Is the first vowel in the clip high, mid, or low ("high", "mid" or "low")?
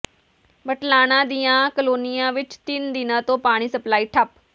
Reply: mid